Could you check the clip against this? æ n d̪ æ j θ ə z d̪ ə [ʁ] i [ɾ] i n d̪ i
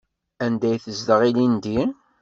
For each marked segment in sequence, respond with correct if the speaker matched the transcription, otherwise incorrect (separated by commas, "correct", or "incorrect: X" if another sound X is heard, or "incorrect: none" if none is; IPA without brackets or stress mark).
correct, incorrect: l